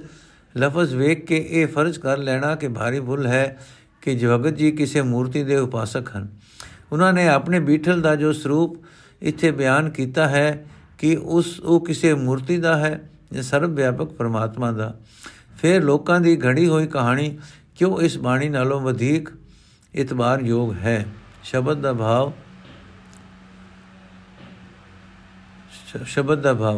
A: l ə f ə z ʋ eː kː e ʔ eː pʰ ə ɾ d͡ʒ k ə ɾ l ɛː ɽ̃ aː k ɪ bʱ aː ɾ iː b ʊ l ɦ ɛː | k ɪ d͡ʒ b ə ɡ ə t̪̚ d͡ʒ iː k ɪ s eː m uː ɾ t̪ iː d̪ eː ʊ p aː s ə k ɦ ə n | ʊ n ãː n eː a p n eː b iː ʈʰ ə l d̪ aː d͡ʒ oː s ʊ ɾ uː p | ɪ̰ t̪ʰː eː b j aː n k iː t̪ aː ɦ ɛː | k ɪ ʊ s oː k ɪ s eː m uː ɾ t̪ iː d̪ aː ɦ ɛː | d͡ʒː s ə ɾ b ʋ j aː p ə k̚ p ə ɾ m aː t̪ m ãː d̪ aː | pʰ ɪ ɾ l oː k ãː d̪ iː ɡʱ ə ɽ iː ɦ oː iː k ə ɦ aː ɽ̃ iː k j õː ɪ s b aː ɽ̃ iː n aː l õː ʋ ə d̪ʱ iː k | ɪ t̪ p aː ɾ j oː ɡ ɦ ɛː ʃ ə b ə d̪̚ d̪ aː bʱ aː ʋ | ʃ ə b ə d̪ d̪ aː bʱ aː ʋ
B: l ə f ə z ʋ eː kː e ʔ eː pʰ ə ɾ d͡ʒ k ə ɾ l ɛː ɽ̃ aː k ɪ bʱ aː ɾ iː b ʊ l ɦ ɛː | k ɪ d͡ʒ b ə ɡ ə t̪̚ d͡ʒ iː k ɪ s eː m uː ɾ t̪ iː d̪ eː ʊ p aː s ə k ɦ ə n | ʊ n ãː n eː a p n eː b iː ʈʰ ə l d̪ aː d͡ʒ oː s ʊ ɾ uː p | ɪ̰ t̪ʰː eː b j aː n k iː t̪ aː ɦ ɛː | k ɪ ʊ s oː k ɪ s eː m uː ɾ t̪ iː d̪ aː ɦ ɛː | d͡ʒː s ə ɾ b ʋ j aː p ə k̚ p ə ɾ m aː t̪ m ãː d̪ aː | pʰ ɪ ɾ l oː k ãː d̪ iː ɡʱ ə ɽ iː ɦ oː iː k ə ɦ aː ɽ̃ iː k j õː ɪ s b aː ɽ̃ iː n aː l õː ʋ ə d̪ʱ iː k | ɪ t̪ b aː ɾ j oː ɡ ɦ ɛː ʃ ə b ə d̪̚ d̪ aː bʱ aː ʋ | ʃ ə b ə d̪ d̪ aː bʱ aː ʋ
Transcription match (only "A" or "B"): B